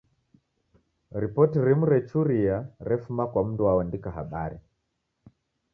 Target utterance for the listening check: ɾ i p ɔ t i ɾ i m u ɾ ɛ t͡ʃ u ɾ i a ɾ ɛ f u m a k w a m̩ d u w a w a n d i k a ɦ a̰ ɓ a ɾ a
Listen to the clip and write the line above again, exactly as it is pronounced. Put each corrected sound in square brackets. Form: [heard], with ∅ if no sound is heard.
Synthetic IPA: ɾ i p ɔ t i ɾ i m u ɾ ɛ t͡ʃ u ɾ i a ɾ ɛ f u m a k w a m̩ d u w a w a n d i k a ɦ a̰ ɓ a ɾ [i]